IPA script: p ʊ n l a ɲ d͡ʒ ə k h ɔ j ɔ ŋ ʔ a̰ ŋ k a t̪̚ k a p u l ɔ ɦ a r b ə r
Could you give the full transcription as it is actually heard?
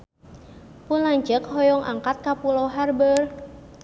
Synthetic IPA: p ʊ n l a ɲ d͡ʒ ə k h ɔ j ɔ ŋ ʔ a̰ ŋ k a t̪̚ k a p u l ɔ ɦ a r b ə r

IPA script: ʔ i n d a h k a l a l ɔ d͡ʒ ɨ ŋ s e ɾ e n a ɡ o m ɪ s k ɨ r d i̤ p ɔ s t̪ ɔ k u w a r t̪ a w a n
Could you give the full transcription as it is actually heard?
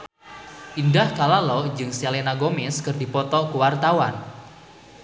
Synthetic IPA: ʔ i n d a h k a l a l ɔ d͡ʒ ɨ ŋ s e l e n a ɡ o m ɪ s k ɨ r d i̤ p ɔ t̪ ɔ k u w a r t̪ a w a n

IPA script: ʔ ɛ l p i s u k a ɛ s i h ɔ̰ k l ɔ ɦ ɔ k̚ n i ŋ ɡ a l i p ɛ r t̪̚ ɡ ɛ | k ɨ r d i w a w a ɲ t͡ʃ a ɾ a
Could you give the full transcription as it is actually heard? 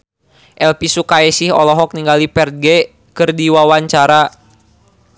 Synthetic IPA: ʔ ɛ l p i s u k a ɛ s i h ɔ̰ l ɔ ɦ ɔ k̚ n i ŋ ɡ a l i p ɛ r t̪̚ ɡ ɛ | k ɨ r d i w a w a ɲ t͡ʃ a ɾ a

